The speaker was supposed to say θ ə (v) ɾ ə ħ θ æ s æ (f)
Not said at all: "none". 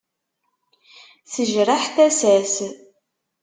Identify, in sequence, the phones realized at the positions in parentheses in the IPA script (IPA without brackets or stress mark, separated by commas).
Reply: ʒ, s